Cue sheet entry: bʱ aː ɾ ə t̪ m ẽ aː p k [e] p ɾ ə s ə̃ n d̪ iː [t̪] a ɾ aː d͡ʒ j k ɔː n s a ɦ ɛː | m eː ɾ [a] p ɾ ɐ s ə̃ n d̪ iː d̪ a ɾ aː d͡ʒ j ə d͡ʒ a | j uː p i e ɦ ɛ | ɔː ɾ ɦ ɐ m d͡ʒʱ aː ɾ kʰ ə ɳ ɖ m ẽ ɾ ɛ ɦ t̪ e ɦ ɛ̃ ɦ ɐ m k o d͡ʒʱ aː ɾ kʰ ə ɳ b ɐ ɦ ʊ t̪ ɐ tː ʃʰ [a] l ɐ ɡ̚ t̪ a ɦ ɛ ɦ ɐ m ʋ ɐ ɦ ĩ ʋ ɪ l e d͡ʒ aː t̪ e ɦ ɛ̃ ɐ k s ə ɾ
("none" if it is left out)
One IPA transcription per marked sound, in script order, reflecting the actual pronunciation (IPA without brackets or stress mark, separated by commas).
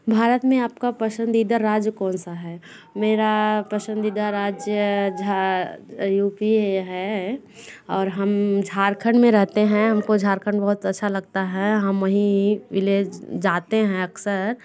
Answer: a, d̪, a, a